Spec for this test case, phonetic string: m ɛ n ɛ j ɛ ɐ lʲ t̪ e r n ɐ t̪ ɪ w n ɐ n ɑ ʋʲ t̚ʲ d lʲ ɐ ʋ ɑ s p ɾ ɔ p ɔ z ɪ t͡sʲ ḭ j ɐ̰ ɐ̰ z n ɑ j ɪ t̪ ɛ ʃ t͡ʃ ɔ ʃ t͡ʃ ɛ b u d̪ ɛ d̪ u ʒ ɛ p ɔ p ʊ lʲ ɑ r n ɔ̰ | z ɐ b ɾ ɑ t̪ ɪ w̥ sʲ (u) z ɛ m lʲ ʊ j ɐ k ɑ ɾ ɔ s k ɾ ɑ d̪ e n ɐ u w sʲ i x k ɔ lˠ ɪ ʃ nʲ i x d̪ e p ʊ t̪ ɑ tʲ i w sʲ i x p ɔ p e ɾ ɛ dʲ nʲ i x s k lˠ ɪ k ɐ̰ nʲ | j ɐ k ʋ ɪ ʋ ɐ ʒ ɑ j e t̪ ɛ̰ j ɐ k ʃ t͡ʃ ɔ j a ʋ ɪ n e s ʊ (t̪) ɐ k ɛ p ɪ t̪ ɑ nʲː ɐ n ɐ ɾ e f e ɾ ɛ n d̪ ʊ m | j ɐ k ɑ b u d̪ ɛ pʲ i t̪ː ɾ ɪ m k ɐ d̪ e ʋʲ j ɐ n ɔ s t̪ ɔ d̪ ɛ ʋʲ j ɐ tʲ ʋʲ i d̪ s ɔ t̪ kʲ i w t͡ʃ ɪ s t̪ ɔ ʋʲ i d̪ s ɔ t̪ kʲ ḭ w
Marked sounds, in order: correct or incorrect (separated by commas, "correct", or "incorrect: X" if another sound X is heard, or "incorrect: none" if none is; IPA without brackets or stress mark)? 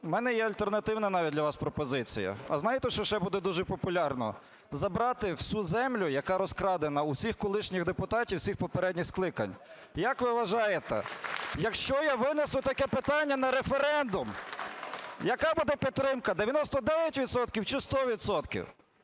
correct, correct